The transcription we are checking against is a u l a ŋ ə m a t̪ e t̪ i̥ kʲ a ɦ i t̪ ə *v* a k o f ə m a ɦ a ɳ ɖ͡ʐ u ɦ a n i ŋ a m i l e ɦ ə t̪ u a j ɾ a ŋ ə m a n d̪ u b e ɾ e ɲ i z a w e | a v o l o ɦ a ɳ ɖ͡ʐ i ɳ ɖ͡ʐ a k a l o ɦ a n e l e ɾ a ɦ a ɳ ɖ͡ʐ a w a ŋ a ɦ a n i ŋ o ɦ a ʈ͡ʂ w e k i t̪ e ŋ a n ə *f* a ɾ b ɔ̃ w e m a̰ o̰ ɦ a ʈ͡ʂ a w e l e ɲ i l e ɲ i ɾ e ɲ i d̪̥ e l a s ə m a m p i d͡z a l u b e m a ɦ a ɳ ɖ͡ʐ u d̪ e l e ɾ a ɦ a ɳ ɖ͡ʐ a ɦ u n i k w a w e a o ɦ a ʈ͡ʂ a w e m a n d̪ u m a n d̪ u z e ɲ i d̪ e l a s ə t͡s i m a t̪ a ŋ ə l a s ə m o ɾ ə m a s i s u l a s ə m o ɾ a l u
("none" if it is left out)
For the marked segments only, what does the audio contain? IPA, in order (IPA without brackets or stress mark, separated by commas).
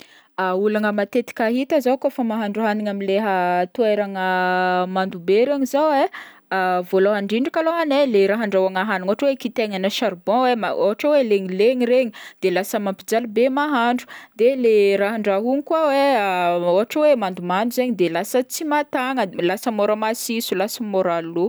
z, ʃ